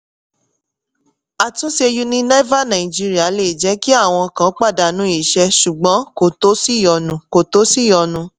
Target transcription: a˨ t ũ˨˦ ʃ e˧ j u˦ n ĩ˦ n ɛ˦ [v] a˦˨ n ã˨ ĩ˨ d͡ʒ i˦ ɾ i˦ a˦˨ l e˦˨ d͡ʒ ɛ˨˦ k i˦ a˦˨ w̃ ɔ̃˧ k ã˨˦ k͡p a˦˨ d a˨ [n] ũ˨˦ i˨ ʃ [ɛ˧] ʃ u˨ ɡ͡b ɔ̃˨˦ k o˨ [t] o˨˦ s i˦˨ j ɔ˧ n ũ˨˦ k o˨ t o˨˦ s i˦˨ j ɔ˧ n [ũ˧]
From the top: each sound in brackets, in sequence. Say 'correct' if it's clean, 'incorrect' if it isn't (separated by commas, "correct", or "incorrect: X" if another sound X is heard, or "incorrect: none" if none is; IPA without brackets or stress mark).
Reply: correct, correct, correct, correct, correct